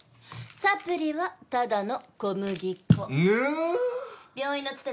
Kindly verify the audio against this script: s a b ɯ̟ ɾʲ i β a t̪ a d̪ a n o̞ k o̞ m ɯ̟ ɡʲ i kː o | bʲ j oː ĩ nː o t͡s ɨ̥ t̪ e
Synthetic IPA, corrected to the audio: s a p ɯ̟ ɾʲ i β a t̪ a d̪ a n o̞ k o̞ m ɯ̟ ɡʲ i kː o | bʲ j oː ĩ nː o t͡s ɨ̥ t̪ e